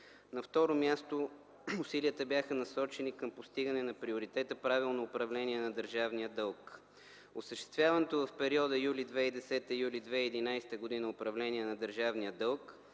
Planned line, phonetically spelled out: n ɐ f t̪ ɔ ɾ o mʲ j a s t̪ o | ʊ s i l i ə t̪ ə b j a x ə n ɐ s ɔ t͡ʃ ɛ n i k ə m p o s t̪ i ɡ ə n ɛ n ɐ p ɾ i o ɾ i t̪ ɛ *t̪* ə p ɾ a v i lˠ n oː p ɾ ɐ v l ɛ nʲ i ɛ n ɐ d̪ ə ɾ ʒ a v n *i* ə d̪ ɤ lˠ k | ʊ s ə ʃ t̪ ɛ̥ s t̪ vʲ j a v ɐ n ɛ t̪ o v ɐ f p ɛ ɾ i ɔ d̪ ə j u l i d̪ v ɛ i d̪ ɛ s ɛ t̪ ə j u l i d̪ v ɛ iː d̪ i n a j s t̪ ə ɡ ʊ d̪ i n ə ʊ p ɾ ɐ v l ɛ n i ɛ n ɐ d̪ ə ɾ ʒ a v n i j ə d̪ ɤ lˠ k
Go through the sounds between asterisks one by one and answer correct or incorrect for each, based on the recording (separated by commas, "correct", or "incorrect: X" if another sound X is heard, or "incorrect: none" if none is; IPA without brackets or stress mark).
correct, correct